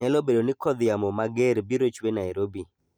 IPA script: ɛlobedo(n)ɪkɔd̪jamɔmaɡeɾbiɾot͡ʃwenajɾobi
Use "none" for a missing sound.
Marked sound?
n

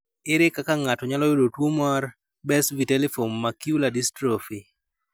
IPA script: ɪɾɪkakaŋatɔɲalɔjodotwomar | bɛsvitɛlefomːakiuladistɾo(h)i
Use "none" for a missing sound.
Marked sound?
f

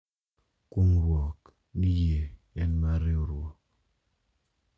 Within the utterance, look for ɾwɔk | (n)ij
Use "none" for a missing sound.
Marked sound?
n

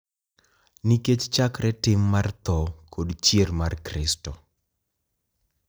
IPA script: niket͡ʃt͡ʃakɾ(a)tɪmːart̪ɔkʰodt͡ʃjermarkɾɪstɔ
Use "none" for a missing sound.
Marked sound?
ɛ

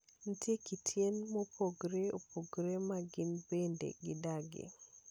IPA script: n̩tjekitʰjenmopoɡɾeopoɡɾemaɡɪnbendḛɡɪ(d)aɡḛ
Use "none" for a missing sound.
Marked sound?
d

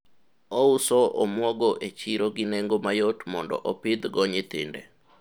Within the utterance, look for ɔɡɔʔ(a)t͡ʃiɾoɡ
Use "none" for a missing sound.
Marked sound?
e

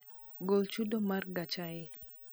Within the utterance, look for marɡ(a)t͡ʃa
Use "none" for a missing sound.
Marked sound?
a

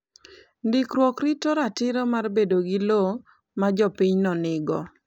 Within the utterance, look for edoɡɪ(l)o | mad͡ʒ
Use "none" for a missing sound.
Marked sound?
l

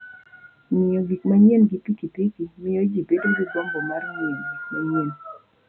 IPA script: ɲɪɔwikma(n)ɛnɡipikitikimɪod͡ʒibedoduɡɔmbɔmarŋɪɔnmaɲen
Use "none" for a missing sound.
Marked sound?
ɲ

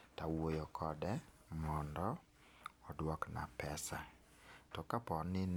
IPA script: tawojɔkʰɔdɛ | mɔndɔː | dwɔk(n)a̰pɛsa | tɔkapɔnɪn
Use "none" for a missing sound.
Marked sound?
n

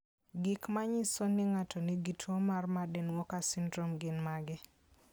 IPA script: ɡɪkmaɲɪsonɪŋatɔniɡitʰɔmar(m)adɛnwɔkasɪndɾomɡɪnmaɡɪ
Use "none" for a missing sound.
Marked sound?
m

